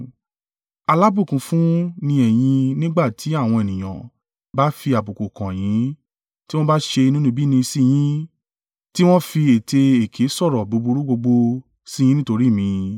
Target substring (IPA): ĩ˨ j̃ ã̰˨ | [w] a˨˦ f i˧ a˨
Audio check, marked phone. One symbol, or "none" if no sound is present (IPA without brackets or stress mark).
b